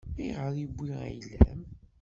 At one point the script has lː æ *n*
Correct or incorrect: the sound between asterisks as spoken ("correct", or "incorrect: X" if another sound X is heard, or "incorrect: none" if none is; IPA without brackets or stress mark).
incorrect: m